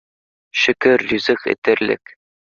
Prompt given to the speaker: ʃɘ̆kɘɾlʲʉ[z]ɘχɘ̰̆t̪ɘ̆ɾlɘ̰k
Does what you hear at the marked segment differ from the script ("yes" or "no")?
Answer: no